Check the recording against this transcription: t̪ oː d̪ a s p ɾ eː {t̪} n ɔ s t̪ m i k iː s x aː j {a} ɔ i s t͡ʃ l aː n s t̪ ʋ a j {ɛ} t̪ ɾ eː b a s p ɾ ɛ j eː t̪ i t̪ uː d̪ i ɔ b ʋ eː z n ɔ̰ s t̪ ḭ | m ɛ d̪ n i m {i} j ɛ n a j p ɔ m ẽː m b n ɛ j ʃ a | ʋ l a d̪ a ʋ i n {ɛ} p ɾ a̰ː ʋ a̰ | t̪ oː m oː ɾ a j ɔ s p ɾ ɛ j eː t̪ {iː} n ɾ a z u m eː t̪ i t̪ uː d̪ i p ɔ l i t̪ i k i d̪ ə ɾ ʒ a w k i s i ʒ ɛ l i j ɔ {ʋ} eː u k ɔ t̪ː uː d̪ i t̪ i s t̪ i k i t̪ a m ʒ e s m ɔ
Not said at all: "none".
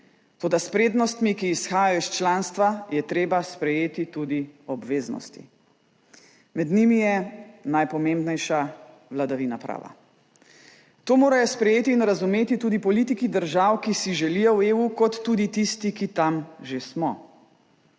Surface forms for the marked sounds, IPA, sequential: d̪, a, ɛ, i, a, iː, w

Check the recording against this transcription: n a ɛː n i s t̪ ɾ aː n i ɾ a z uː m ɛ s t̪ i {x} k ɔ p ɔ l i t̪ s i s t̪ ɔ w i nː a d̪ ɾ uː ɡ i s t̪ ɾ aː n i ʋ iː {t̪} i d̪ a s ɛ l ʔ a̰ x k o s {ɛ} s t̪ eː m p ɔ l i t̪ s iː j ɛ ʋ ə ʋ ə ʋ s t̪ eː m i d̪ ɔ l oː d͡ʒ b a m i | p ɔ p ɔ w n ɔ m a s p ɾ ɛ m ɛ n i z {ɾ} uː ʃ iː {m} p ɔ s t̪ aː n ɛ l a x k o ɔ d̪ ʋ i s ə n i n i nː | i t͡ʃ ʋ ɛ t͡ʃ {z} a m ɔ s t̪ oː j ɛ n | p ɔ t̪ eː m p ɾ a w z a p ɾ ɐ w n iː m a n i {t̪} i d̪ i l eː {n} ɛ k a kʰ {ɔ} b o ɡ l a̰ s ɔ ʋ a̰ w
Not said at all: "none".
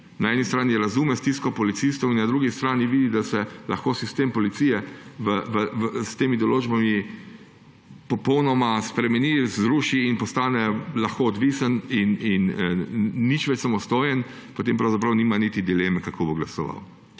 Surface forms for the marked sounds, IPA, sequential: s, d̪, i, ɾ, n, s, t̪, m, o

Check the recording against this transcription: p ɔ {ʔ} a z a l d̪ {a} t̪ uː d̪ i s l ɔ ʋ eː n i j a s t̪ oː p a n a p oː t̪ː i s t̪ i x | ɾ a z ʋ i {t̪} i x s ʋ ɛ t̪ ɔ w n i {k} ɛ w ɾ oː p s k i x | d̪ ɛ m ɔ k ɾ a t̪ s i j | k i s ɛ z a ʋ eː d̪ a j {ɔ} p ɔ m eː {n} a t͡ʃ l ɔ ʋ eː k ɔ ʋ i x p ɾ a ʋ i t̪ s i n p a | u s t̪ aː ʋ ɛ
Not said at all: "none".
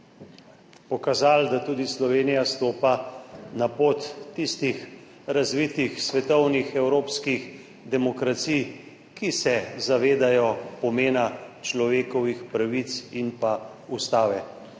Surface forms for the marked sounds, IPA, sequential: k, a, t̪, x, ɔ, n

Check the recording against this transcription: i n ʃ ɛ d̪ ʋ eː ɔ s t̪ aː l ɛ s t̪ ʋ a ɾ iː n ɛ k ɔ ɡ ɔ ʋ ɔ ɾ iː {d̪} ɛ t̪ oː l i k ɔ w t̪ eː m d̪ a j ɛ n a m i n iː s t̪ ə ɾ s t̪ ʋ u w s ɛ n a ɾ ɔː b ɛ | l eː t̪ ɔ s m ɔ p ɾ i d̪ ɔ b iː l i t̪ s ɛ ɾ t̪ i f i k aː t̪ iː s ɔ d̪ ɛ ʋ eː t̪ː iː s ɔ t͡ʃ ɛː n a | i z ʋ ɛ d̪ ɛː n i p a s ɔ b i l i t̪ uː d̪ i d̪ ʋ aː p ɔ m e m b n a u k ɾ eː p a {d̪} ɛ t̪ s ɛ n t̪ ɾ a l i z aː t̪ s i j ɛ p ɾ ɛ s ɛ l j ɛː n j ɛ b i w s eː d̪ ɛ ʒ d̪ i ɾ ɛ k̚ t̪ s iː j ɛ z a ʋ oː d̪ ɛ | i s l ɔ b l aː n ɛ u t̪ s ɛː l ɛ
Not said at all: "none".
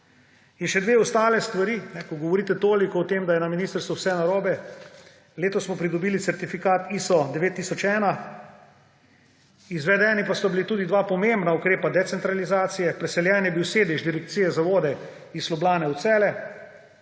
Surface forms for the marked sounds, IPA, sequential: t̪, d̪

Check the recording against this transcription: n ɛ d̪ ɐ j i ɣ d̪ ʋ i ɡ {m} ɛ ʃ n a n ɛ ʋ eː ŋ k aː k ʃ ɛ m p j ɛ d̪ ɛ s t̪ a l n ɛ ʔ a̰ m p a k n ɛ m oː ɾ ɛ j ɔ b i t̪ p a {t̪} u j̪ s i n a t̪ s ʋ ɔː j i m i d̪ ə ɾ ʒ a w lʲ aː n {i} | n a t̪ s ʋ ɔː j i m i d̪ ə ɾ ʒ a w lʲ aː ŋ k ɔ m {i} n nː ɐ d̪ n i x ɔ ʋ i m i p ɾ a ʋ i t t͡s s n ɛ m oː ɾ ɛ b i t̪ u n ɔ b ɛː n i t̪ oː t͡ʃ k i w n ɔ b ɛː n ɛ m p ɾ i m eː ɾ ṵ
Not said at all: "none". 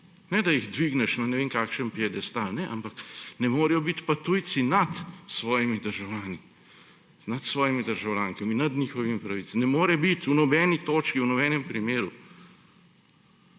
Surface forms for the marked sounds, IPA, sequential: n, t̪, i, i

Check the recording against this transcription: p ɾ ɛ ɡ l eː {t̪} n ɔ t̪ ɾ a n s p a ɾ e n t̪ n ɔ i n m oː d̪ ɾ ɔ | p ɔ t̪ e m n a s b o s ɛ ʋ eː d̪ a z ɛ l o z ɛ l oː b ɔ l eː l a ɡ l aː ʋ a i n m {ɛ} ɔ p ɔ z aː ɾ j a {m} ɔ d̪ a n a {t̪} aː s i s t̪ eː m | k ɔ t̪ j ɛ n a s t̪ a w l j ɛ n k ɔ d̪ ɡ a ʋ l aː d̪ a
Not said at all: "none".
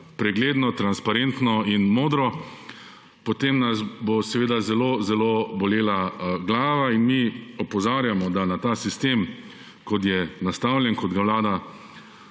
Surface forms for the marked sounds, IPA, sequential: d̪, i, m, t̪

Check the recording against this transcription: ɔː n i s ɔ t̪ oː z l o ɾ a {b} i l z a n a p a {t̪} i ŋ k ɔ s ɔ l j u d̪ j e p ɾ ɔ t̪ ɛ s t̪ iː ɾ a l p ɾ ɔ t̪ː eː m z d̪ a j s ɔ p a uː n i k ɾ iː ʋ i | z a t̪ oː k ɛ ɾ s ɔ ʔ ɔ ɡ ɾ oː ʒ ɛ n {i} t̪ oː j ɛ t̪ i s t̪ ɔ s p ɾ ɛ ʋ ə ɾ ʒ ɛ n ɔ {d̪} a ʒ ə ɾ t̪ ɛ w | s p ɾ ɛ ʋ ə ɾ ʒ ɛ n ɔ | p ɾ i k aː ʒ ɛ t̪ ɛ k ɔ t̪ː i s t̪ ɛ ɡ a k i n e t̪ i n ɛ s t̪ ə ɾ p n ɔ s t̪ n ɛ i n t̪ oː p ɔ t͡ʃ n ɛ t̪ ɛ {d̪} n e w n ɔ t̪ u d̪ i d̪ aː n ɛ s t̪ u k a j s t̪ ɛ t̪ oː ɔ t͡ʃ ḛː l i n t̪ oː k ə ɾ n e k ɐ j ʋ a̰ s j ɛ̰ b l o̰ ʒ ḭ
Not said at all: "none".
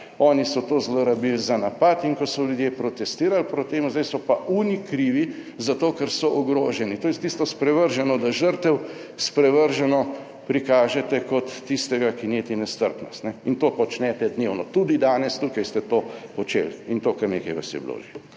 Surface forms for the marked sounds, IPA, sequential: b, t̪, i, d̪, d̪

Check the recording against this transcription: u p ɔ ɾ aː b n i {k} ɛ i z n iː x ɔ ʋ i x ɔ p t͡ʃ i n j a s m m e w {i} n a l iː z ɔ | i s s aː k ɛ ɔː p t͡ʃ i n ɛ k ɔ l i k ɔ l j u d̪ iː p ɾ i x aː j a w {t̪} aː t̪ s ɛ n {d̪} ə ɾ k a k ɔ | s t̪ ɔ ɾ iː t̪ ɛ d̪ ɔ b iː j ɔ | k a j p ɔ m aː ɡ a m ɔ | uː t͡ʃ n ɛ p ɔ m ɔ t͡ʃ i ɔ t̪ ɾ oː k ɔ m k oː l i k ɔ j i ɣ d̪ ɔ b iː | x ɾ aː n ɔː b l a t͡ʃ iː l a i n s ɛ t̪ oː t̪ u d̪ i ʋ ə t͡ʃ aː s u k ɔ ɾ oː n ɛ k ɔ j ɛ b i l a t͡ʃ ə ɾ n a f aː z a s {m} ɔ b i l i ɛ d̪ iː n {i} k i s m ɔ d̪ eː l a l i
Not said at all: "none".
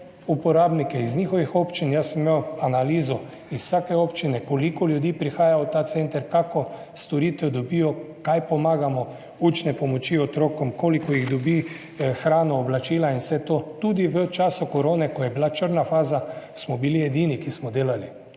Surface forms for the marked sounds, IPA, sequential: k, a, t̪, t̪, m, i

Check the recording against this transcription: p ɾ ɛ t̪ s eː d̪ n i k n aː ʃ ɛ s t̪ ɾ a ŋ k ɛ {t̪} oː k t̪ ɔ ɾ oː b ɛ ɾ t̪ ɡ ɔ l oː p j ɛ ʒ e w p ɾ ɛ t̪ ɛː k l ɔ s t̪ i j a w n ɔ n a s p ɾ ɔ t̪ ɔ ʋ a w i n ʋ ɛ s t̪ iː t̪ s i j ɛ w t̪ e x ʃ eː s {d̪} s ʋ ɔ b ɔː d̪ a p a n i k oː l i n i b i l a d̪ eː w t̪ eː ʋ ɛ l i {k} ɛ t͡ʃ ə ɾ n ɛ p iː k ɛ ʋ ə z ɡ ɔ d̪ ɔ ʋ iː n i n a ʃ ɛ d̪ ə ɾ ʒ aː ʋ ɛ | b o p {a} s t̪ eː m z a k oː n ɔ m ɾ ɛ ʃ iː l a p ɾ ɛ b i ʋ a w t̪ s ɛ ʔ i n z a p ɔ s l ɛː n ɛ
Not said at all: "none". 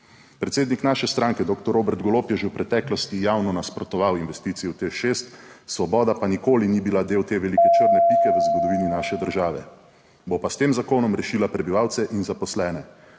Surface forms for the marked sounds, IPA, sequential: d̪, t̪, k, a

